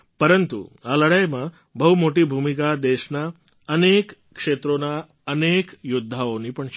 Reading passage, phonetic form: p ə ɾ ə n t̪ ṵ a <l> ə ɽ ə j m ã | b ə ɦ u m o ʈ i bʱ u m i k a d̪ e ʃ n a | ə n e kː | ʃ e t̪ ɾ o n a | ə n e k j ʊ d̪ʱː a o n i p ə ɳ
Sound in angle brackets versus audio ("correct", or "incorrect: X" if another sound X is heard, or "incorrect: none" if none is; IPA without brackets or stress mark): correct